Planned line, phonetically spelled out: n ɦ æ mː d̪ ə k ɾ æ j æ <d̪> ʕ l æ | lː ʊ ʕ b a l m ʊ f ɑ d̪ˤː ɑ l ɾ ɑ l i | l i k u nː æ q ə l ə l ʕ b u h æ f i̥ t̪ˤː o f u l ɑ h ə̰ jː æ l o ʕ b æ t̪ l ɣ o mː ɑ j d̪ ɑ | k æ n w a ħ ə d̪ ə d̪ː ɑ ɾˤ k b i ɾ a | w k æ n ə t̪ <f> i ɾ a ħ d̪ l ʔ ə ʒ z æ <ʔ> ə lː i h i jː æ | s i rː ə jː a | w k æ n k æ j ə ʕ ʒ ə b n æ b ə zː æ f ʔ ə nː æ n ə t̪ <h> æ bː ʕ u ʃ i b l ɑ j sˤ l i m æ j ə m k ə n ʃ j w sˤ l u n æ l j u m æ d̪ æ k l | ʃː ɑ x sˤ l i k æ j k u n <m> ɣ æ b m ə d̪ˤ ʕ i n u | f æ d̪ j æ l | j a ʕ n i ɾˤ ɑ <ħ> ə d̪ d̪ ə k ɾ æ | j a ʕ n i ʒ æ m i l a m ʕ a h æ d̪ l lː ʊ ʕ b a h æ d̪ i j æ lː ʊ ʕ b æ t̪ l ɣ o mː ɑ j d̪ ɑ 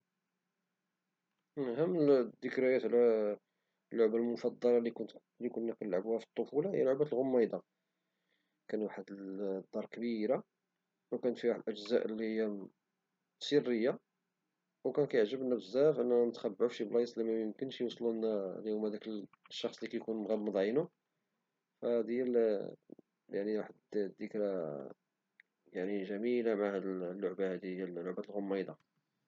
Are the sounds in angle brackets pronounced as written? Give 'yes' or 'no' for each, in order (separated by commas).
no, yes, yes, no, yes, yes